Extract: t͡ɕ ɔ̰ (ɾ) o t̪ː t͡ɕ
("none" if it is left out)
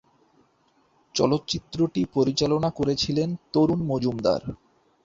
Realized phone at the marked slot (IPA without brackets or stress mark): l